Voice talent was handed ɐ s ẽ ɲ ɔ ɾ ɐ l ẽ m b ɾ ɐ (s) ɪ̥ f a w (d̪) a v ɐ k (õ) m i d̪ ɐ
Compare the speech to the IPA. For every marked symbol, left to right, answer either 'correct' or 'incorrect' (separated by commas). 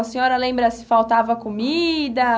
correct, incorrect, incorrect